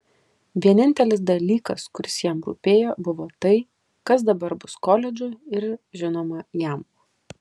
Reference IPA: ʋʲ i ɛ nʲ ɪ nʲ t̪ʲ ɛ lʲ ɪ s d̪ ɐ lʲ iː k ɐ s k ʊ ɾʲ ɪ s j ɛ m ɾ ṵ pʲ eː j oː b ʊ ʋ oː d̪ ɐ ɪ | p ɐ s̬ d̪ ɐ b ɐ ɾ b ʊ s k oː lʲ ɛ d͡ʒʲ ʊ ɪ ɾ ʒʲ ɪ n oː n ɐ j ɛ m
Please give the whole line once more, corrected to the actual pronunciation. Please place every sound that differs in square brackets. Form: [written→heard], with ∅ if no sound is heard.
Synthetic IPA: ʋʲ i ɛ nʲ ɪ nʲ t̪ʲ ɛ lʲ ɪ s d̪ ɐ lʲ iː k ɐ s k ʊ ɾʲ ɪ s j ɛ m ɾ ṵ pʲ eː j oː b ʊ ʋ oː [d̪→t̪] ɐ ɪ | [p→k] ɐ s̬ d̪ ɐ b ɐ ɾ b ʊ s k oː lʲ ɛ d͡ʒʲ ʊ ɪ ɾ ʒʲ ɪ n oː [n→m] ɐ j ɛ m